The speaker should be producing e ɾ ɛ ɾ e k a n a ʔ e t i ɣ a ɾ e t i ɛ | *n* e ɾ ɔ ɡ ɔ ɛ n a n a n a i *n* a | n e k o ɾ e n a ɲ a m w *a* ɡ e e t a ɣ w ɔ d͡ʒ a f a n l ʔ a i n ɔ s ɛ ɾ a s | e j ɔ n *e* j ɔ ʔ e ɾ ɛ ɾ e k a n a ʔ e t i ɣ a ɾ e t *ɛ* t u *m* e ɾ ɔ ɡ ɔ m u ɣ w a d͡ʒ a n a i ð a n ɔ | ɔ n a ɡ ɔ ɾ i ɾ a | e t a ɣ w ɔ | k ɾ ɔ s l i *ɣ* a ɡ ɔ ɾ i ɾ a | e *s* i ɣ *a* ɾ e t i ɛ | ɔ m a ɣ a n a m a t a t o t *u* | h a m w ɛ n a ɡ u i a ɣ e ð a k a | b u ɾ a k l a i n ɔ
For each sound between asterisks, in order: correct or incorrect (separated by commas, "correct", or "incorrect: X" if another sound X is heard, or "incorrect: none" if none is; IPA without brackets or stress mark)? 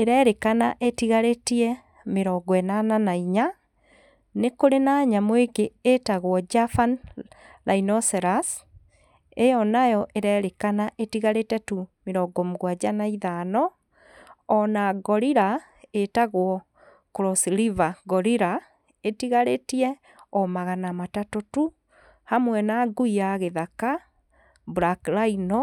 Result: incorrect: m, incorrect: ɲ, incorrect: e, incorrect: a, correct, correct, incorrect: v, incorrect: t, correct, correct